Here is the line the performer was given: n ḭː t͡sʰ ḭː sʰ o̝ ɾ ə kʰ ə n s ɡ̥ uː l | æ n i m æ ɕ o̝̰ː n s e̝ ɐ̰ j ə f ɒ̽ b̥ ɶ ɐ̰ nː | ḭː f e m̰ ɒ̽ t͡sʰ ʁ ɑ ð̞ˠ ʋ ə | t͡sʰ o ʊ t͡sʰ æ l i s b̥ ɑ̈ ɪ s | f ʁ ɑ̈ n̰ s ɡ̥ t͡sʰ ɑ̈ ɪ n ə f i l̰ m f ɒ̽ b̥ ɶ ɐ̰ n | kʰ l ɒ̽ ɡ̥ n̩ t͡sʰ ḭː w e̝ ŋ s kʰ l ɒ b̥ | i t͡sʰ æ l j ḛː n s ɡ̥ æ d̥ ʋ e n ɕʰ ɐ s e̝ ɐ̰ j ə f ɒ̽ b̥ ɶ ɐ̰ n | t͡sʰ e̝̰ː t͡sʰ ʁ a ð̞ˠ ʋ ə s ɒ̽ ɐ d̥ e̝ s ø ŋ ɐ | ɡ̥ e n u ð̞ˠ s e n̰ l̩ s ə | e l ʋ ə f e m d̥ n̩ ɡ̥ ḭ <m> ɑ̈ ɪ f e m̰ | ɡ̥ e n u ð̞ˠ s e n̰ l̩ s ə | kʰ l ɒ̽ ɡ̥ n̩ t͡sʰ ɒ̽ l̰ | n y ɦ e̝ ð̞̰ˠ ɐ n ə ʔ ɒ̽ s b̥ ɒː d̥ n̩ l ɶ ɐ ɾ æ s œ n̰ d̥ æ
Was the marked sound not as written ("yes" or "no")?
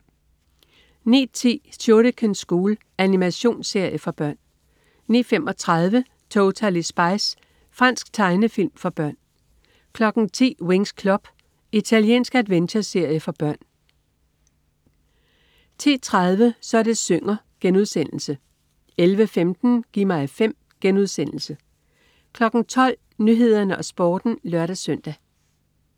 no